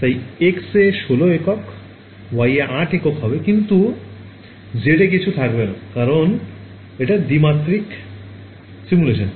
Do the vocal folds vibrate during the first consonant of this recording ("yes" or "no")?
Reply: no